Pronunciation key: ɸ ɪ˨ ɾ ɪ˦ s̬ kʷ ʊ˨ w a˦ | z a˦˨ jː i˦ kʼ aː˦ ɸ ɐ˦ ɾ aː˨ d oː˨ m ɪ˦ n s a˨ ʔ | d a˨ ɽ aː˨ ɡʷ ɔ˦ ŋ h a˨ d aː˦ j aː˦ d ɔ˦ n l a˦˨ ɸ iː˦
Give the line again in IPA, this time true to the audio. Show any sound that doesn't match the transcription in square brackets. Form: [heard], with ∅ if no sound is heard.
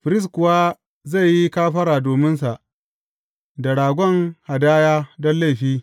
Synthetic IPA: ɸ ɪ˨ ɾ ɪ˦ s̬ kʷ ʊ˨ w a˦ | z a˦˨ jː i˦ [k] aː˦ ɸ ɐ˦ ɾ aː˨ d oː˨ m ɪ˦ n s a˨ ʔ | d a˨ ɽ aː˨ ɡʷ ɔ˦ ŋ h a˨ d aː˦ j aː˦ d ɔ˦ n l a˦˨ ɸ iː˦